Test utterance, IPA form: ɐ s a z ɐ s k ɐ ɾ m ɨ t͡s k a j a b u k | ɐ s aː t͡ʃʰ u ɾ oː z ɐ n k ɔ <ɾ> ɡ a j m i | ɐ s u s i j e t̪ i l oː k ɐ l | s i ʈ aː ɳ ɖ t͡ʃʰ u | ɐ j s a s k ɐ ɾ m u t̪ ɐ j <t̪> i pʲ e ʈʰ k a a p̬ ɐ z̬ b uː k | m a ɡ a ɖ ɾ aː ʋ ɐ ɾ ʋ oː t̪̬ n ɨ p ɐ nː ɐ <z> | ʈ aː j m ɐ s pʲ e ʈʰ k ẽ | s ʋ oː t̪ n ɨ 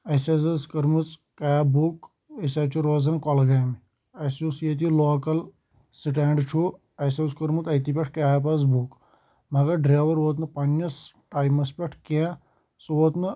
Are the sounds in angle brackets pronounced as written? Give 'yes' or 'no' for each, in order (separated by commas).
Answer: no, yes, no